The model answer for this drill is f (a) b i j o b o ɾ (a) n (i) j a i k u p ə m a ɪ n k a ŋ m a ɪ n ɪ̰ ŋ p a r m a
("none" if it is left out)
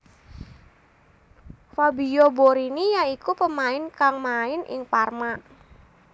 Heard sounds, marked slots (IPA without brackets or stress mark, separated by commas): a, i, i